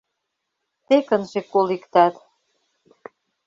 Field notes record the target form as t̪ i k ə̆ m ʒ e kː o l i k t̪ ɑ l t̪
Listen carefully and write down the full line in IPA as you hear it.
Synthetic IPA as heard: t̪ e k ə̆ n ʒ e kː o l i k t̪ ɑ t̪